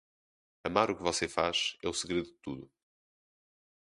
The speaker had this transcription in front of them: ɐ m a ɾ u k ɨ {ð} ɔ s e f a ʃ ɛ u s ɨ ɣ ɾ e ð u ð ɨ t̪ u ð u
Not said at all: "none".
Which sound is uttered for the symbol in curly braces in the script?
v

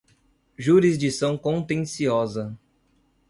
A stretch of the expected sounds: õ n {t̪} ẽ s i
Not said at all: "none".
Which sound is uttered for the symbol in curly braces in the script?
t̪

